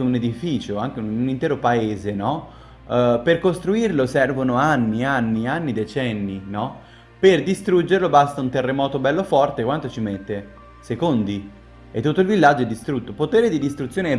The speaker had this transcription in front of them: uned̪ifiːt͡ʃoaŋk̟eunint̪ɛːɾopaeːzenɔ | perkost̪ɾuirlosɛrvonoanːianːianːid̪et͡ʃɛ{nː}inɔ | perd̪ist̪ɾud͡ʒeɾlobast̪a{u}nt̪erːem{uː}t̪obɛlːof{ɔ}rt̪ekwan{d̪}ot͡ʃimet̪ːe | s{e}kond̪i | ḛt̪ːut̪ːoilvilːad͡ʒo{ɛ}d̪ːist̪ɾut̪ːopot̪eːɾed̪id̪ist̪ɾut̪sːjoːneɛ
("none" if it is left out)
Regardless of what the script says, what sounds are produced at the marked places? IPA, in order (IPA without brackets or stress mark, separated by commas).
nː, u, ɔː, ɔ, t̪, e, ɛ